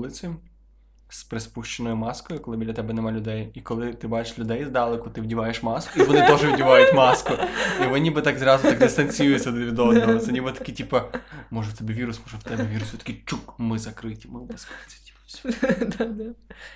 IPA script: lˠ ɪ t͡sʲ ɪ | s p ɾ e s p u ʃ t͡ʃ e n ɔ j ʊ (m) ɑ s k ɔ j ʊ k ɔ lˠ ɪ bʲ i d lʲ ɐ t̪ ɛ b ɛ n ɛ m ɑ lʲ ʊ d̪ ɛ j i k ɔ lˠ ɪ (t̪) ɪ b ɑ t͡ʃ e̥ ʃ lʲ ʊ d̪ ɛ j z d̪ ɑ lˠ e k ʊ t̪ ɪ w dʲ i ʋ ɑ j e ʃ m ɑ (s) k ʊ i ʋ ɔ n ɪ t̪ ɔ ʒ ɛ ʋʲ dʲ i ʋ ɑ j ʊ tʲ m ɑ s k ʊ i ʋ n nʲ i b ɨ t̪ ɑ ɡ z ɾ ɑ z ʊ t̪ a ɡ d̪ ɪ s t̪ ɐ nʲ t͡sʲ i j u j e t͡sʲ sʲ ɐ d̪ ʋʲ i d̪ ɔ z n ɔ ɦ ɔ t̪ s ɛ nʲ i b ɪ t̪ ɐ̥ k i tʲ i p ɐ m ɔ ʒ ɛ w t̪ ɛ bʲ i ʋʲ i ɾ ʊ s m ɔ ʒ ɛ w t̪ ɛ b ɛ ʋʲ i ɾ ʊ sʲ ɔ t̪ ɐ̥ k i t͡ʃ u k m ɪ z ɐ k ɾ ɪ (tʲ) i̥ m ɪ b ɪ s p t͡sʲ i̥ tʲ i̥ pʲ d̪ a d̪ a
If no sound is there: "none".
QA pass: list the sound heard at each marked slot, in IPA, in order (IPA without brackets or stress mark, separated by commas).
m, t̪, s, tʲ